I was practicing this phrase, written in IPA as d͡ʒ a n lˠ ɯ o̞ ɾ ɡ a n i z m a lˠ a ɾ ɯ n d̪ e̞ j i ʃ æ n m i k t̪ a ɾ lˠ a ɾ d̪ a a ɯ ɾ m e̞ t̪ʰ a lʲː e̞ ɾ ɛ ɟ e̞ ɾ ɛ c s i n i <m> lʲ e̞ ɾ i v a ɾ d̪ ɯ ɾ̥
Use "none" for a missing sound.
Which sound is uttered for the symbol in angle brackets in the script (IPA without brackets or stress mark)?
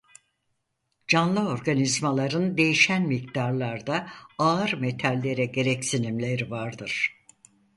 m